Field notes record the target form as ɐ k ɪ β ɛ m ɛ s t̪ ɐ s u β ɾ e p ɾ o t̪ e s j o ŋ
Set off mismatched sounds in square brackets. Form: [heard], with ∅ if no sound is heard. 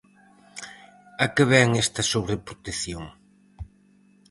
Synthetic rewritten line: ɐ k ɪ β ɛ [ŋ] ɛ s t̪ ɐ s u β ɾ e p ɾ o t̪ e [θ] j o ŋ